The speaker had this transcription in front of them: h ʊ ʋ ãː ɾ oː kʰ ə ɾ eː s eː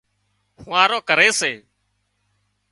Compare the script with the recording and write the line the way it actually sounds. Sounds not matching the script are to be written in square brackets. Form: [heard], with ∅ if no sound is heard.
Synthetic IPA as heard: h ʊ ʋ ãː ɾ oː [k] ə ɾ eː s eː